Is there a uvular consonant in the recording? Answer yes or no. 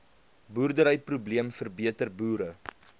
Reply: no